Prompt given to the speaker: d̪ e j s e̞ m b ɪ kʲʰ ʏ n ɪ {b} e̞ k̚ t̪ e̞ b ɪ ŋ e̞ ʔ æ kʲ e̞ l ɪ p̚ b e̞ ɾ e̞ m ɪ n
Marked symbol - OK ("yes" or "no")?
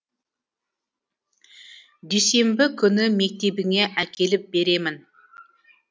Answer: no